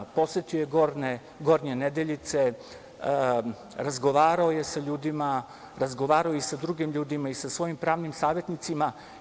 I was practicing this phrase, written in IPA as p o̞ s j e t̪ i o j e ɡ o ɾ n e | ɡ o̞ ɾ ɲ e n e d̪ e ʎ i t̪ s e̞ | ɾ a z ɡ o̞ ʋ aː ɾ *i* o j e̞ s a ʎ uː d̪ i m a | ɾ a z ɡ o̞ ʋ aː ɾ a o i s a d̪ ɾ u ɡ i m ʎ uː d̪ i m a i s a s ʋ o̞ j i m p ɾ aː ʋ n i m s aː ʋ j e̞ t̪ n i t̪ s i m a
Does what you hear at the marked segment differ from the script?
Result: yes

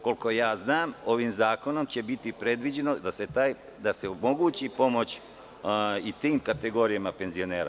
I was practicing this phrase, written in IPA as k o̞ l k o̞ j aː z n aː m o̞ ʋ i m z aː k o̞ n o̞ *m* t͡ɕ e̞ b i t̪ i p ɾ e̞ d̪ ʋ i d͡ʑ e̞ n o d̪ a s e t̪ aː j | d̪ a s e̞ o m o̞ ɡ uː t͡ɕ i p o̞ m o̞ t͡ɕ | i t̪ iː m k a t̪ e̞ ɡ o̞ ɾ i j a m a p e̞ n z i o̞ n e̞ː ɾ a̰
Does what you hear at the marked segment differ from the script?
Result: no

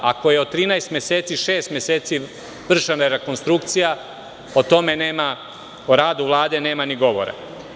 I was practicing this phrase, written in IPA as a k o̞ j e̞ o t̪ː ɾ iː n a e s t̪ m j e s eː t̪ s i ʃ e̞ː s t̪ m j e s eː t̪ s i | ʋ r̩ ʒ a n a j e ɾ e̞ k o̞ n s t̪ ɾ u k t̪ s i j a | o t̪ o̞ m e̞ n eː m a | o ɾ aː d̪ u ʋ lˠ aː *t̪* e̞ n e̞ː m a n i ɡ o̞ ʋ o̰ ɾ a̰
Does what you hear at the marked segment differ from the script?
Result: yes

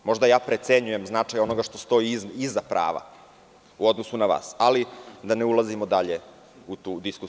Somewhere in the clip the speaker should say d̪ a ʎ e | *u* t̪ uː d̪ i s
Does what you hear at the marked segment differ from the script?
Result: no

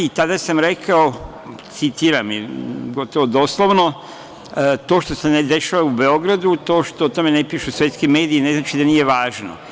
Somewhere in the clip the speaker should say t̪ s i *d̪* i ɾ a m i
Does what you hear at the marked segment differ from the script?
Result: yes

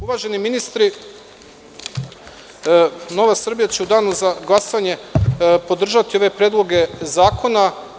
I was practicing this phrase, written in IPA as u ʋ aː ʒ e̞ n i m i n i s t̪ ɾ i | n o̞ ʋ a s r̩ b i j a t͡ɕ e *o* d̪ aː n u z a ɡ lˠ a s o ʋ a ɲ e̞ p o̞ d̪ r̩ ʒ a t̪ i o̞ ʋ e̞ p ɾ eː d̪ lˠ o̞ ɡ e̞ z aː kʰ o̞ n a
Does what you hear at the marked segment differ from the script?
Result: yes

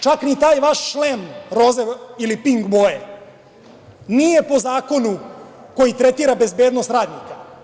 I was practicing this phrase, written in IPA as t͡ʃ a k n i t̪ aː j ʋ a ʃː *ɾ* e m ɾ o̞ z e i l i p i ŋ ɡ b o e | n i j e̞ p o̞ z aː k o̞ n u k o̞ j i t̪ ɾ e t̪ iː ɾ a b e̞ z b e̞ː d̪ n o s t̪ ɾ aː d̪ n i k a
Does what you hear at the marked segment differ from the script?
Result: yes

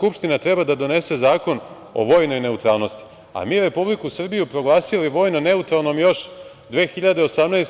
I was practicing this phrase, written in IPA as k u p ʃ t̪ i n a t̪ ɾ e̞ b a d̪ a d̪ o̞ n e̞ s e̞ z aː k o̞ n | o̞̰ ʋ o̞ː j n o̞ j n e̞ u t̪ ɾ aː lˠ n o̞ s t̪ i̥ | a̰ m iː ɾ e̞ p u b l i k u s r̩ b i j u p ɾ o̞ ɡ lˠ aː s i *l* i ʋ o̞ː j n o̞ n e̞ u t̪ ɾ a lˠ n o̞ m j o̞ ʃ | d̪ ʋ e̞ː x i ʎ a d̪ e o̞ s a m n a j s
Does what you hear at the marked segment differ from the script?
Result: no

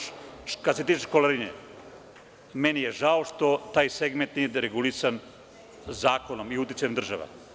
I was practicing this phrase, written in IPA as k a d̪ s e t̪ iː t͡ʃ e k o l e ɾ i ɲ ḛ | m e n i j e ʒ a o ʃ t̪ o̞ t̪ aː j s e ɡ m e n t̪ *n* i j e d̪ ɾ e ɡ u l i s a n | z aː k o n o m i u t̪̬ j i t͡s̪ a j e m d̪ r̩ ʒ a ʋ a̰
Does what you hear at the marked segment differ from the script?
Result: no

